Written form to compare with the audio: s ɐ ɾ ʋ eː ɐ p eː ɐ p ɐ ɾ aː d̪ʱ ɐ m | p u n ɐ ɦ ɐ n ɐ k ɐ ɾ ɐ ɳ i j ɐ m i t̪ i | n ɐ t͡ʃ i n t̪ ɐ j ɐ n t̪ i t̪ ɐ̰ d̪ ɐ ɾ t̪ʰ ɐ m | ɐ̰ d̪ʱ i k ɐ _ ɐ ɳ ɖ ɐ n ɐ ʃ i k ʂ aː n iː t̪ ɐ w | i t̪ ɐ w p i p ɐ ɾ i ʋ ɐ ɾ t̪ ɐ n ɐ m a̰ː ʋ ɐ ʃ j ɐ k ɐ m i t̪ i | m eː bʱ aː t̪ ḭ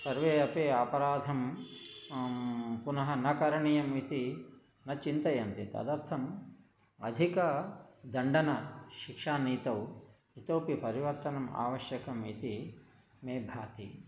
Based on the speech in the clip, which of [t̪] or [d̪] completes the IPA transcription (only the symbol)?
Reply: d̪